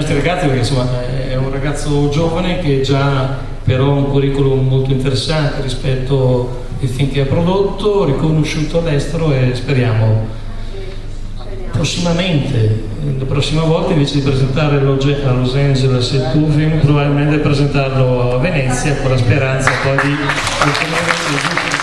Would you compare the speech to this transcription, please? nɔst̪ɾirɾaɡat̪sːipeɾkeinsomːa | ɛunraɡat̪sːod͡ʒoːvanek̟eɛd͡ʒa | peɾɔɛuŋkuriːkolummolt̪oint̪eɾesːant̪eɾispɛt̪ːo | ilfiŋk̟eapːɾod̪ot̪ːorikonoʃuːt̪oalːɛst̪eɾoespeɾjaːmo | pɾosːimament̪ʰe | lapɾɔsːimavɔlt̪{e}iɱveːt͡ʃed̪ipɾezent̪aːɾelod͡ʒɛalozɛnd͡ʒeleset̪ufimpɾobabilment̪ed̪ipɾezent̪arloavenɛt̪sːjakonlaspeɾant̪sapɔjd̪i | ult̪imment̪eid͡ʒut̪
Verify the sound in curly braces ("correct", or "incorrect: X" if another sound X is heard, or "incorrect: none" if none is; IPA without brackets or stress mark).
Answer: incorrect: a